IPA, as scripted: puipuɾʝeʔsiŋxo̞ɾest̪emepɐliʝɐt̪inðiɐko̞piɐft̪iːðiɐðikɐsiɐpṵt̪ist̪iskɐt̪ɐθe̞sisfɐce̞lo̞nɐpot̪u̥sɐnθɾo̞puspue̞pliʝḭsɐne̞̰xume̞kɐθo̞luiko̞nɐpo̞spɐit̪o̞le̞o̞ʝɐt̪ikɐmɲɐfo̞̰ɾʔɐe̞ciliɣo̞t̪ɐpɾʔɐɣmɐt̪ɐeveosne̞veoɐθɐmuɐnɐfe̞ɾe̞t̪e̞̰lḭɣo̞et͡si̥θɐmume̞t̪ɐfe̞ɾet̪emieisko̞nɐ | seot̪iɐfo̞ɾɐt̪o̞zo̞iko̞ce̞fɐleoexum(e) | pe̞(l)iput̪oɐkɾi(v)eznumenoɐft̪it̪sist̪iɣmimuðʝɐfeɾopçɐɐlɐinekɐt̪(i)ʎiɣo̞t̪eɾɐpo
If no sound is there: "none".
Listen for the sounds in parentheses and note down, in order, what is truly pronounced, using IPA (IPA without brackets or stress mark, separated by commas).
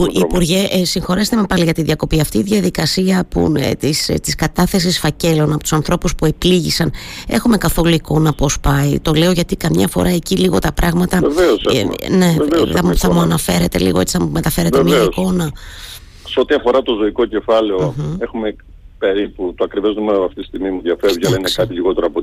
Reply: e, ɾ, v, i